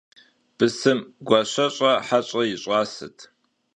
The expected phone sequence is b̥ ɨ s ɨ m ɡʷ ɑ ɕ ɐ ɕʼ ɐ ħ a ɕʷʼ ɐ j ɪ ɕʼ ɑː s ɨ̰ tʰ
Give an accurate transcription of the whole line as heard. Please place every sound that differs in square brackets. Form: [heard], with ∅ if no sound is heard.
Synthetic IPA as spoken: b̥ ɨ s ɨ m ɡʷ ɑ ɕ ɐ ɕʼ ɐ ħ a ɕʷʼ ɐ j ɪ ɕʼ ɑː s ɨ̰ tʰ